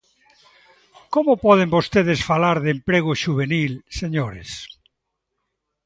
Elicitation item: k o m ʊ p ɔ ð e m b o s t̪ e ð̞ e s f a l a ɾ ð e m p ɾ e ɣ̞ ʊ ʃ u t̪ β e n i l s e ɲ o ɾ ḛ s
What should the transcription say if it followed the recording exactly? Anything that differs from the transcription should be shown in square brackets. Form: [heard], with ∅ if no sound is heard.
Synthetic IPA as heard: k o m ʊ p ɔ ð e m b o s t̪ e ð̞ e s f a l a ɾ ð e m p ɾ e ɣ̞ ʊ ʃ u [∅] β e n i l s e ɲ o ɾ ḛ s